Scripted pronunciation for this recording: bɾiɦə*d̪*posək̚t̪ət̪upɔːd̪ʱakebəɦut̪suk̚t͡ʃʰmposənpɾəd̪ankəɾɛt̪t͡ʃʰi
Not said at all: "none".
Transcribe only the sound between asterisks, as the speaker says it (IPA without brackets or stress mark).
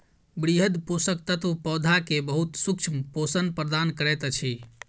d̪